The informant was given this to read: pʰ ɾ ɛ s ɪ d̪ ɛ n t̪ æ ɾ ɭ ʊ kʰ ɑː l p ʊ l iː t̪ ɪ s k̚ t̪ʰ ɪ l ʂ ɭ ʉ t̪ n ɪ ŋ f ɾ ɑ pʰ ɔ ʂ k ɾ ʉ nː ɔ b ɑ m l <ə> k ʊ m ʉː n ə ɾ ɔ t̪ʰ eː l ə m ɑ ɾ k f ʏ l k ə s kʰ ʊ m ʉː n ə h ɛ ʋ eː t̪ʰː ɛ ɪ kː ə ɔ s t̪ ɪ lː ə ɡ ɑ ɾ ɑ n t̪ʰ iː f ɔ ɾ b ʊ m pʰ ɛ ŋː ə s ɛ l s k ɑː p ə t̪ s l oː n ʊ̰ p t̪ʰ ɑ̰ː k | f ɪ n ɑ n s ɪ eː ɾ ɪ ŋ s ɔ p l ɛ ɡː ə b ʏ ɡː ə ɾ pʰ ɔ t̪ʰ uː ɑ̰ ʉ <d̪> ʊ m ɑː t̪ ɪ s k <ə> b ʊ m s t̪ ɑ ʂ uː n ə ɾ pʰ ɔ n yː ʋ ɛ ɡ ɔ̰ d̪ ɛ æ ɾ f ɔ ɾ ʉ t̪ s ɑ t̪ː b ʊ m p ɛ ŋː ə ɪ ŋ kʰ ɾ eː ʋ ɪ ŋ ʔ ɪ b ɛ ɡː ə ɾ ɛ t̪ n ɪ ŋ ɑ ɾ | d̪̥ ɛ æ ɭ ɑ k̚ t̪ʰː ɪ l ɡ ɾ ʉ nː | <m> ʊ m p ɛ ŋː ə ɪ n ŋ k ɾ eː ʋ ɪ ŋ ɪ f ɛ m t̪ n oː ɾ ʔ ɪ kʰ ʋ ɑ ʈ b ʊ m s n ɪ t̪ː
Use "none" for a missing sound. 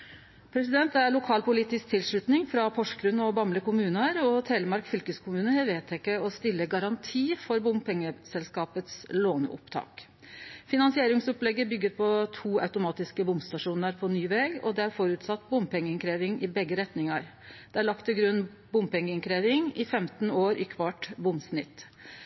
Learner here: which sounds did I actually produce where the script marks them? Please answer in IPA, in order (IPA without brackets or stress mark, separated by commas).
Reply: ə, t̪, ə, b